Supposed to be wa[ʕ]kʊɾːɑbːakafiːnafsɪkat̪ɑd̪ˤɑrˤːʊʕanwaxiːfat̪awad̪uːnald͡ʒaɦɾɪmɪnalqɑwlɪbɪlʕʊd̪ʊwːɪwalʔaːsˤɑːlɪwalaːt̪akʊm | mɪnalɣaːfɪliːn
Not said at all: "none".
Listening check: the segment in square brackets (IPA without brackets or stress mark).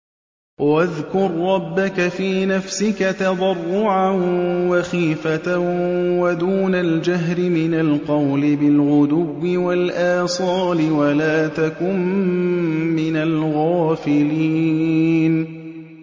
ð